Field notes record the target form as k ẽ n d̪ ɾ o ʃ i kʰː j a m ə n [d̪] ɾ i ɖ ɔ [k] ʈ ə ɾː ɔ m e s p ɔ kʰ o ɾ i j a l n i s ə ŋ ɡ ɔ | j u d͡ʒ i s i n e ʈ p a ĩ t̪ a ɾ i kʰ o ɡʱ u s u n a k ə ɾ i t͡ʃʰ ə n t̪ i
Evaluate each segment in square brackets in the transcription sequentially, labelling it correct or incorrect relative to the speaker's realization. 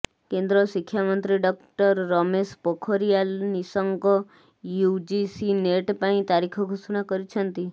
incorrect: t̪, correct

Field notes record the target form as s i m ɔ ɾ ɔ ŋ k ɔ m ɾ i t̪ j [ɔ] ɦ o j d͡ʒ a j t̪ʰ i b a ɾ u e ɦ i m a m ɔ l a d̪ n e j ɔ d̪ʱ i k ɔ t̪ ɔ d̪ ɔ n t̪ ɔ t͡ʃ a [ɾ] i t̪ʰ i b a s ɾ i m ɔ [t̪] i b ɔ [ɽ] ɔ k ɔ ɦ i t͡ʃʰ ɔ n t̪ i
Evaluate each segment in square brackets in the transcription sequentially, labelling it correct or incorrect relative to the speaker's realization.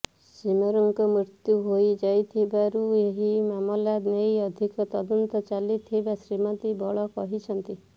incorrect: u, incorrect: l, correct, incorrect: ɭ

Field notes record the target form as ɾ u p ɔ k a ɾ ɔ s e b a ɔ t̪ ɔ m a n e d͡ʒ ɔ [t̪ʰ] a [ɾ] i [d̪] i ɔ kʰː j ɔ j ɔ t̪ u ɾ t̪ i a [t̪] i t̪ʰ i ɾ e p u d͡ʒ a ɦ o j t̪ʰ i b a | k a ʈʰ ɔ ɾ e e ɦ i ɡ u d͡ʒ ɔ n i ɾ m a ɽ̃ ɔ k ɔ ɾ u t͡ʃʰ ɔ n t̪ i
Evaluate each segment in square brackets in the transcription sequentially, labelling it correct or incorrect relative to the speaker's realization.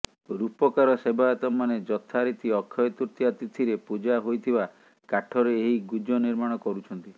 correct, correct, incorrect: t̪, correct

